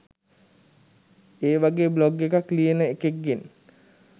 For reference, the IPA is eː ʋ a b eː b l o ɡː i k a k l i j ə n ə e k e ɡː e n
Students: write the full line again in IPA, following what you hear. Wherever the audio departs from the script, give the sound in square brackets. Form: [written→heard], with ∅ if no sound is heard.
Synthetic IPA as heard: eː ʋ a [b→ɡ] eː b l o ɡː [i→e] k a k l i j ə n ə e k e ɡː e n